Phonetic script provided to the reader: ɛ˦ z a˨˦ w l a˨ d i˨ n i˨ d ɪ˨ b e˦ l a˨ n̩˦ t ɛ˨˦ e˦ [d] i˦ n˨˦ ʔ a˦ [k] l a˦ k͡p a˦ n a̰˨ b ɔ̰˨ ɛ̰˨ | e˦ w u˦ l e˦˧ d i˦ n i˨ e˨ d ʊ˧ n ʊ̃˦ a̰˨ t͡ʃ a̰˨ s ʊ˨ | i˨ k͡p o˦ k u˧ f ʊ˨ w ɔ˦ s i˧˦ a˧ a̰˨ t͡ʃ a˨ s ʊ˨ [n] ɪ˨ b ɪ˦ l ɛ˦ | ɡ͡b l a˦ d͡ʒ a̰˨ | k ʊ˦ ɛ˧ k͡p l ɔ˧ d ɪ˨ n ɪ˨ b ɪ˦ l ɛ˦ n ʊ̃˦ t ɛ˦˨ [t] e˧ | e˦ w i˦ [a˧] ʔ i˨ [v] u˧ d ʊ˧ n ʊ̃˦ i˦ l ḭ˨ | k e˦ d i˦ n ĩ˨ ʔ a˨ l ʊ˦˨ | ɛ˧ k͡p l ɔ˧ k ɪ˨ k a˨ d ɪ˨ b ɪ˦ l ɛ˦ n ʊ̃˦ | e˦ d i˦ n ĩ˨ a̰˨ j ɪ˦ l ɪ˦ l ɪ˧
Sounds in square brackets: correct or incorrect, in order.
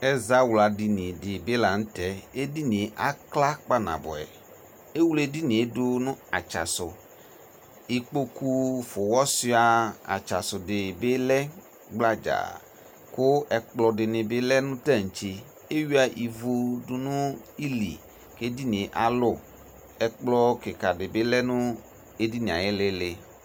correct, correct, incorrect: d, incorrect: t͡ʃ, correct, correct

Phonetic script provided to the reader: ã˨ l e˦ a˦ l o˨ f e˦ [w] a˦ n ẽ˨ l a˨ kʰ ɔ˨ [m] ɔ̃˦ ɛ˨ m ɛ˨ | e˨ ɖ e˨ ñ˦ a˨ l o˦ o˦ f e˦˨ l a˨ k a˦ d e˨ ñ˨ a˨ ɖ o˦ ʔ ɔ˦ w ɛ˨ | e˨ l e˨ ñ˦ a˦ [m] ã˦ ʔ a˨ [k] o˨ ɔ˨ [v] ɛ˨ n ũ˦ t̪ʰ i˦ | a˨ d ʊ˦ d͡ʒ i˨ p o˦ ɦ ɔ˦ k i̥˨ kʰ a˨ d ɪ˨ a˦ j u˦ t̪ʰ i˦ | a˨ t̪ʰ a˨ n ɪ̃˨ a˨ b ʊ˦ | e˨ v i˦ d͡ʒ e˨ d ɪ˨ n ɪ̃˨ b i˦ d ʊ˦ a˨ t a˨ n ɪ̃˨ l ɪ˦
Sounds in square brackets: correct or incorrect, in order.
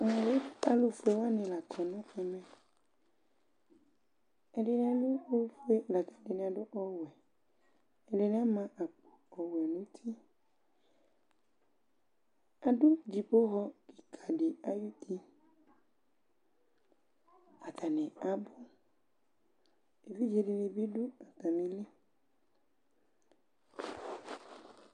correct, incorrect: n, correct, incorrect: k͡p, incorrect: w

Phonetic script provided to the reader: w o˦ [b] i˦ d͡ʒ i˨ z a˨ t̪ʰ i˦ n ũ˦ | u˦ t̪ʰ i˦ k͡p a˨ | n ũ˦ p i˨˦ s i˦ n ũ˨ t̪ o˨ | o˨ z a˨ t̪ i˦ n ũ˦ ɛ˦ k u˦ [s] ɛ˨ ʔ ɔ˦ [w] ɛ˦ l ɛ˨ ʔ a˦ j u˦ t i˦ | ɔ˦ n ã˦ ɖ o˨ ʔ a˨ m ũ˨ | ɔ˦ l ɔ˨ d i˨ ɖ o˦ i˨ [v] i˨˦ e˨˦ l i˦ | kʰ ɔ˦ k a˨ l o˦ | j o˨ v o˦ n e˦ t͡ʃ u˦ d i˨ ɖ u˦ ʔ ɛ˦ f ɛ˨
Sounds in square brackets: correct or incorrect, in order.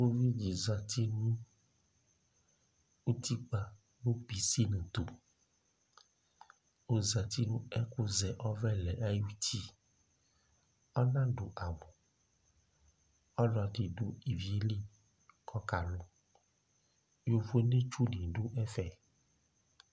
incorrect: v, incorrect: z, incorrect: v, correct

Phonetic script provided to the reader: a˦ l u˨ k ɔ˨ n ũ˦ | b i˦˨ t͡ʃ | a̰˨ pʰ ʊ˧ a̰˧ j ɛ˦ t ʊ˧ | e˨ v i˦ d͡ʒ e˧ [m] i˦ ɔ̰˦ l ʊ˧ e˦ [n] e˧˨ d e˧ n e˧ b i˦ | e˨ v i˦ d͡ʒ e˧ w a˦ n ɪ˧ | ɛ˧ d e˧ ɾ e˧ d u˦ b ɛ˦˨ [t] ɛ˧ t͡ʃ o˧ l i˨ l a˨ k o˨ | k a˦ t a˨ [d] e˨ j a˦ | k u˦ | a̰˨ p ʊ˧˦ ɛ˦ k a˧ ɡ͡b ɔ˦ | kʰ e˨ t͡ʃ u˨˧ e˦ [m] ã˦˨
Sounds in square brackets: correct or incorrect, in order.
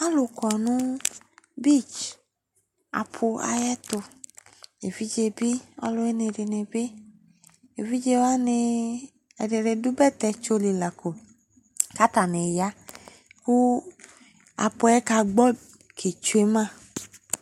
incorrect: b, correct, correct, incorrect: n, correct

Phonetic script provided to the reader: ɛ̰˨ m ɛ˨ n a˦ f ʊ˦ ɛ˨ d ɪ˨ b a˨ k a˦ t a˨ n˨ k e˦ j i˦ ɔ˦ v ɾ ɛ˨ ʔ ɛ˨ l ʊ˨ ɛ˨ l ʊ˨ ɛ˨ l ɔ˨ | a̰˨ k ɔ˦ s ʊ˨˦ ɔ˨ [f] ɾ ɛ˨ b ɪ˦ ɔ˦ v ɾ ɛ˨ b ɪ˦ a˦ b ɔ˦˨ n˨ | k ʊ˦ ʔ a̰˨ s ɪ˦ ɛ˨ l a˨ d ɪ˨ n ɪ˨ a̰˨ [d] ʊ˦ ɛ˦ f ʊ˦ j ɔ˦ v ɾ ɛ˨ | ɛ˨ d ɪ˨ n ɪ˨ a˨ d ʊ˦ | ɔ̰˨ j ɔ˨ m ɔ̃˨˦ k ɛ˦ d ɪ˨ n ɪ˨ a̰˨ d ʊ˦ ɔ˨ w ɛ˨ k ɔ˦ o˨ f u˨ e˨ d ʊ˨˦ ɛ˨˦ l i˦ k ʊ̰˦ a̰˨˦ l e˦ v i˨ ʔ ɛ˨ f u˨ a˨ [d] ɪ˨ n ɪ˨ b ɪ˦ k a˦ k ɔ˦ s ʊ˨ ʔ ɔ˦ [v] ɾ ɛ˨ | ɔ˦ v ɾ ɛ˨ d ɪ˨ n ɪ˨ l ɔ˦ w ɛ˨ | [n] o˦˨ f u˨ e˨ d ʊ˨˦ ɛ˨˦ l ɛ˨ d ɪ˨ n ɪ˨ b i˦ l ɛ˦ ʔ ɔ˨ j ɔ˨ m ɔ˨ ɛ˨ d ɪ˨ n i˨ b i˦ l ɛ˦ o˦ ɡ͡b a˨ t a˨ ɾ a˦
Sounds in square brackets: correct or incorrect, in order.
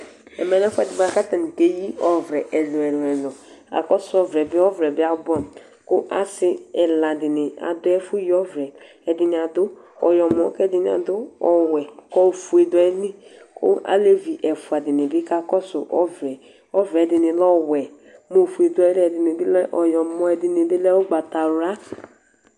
incorrect: v, correct, correct, correct, incorrect: m

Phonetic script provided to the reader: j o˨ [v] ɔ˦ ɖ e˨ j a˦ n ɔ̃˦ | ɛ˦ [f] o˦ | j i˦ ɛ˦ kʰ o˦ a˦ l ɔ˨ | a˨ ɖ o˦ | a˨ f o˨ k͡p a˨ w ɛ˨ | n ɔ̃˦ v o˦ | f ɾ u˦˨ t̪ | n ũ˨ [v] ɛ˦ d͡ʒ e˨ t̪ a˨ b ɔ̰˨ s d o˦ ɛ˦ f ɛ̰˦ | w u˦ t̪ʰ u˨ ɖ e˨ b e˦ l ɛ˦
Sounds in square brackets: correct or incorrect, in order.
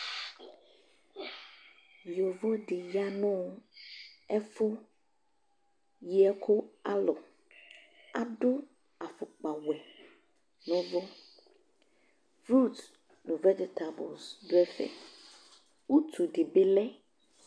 correct, correct, correct

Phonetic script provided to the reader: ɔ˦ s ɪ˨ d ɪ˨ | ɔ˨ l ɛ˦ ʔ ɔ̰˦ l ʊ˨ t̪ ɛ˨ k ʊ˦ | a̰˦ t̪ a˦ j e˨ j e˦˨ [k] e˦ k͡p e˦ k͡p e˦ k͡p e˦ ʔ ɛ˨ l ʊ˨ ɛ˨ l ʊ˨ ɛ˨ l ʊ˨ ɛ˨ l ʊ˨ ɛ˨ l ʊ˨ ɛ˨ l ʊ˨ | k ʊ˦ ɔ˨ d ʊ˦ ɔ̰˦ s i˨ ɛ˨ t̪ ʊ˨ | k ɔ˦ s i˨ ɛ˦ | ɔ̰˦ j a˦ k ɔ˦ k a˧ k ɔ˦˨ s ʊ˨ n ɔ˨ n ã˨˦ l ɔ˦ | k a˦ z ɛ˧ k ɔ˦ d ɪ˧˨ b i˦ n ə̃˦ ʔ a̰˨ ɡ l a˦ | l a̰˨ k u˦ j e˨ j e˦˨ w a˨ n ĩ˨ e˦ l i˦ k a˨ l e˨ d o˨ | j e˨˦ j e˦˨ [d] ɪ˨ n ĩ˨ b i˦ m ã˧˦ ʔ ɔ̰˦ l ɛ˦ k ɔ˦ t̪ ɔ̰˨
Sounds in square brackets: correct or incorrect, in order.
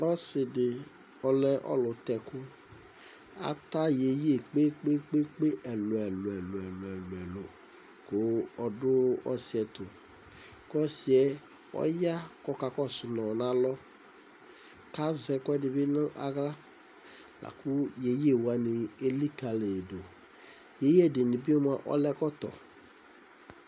incorrect: k͡p, correct

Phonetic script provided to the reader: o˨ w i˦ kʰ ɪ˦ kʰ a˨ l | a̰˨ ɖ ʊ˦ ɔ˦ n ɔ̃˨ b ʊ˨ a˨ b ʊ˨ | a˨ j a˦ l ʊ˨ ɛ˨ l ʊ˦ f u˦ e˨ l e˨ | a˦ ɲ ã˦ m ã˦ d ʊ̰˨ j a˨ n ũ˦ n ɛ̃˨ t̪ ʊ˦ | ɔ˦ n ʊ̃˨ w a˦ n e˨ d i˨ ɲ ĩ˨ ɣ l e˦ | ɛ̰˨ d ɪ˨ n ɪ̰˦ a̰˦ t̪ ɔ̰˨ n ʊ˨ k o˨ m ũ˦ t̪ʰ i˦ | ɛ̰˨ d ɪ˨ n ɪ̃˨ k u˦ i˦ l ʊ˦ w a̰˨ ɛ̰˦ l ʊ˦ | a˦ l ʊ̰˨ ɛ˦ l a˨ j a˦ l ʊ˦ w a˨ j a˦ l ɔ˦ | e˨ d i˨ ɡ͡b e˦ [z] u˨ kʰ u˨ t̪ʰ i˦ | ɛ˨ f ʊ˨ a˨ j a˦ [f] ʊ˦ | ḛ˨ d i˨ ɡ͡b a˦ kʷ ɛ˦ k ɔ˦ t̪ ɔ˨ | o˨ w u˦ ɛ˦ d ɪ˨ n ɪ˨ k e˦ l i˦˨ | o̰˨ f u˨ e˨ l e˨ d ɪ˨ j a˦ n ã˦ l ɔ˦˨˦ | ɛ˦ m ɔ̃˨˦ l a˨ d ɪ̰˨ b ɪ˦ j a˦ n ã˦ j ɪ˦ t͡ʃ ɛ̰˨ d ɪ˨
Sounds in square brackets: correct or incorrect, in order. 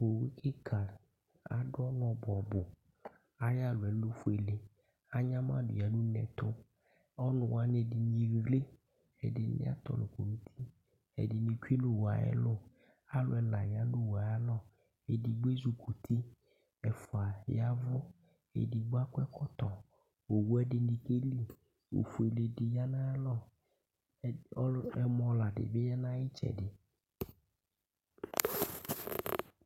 correct, incorrect: v

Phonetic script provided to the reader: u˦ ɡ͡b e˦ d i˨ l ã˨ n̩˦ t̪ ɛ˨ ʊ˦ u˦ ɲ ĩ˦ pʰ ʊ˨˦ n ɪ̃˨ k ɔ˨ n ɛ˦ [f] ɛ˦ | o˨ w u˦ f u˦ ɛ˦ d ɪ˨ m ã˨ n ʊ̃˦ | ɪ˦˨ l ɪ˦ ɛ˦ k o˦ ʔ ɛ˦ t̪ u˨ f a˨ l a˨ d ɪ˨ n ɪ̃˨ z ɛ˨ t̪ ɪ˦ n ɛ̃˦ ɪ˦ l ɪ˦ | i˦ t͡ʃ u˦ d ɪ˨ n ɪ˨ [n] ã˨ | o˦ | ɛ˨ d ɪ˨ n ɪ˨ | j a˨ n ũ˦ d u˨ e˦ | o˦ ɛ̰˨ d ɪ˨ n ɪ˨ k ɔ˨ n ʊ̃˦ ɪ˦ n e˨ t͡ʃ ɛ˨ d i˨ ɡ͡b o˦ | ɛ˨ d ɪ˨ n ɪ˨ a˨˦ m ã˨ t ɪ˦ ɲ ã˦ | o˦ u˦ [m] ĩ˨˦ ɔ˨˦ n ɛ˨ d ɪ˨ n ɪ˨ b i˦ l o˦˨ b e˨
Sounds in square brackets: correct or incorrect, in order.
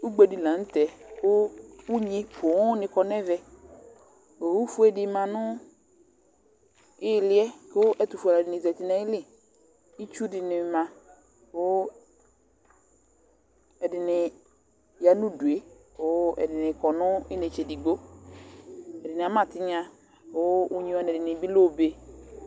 incorrect: v, incorrect: m, incorrect: ɲ

